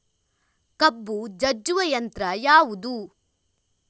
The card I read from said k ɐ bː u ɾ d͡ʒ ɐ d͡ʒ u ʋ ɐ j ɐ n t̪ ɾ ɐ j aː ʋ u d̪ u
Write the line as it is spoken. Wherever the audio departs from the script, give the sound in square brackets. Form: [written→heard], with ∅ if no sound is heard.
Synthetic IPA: k ɐ bː u [ɾ→∅] d͡ʒ ɐ d͡ʒ u ʋ ɐ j ɐ n t̪ ɾ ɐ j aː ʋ u d̪ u